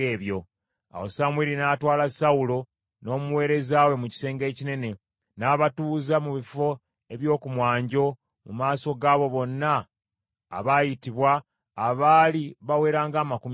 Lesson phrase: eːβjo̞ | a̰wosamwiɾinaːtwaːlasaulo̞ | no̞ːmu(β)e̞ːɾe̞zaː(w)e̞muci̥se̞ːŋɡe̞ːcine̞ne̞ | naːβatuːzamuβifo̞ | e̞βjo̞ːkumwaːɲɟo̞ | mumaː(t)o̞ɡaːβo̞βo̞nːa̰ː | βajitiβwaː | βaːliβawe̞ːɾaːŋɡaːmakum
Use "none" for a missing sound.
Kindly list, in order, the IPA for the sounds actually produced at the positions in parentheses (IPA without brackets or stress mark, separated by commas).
w, w, s